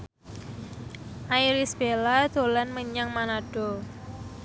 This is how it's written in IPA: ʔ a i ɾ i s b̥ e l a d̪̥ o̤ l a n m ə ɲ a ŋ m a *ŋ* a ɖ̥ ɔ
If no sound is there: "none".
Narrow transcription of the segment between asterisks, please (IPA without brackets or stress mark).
n